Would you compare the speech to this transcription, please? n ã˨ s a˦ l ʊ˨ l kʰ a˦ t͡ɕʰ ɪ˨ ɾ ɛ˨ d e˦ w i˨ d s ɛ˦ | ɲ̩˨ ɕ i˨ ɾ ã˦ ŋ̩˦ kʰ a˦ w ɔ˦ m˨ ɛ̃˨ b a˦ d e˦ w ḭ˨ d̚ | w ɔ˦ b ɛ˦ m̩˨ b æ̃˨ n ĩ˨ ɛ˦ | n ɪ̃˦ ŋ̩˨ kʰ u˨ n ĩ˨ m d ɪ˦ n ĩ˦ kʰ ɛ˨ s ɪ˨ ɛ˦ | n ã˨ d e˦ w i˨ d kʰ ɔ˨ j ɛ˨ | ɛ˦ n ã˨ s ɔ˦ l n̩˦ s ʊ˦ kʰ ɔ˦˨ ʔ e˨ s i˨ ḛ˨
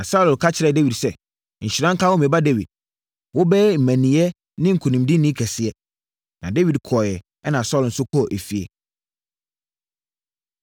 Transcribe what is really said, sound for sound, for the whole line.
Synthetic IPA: n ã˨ s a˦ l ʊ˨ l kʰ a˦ t͡ɕʰ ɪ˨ ɾ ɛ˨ d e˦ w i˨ d s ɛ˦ | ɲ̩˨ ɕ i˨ ɾ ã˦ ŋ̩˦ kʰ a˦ w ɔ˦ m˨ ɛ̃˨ b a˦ d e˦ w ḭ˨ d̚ | w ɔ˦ b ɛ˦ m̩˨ m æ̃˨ n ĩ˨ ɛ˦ | n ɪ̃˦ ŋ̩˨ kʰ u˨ n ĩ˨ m d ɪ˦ n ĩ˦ kʰ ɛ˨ s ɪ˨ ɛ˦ | n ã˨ d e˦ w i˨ d kʰ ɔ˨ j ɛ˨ | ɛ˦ n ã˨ s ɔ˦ l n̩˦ s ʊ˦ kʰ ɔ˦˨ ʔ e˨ f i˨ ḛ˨